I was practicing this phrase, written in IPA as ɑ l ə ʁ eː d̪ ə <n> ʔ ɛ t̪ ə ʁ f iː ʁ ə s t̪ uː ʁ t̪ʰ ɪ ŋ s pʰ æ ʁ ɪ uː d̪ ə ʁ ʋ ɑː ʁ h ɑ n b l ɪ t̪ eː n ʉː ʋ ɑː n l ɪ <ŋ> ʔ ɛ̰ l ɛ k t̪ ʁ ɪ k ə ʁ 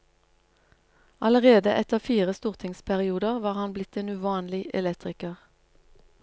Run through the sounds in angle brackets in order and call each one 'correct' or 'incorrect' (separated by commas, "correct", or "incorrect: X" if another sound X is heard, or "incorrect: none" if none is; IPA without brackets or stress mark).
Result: incorrect: none, incorrect: none